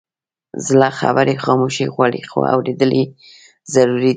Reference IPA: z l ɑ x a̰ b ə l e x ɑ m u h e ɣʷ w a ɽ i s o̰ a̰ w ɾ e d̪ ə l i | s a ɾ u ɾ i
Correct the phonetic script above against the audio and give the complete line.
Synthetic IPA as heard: z l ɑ x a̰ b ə ɾ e x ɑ m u ʃ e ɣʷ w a ɽ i x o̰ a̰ w ɾ e d̪ ə l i | z a ɾ u ɾ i